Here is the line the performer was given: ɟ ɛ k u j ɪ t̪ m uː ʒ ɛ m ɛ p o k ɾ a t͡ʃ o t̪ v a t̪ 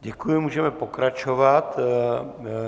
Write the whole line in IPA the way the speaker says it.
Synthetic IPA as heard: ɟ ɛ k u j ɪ m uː ʒ ɛ m ɛ p o k ɾ a t͡ʃ o v a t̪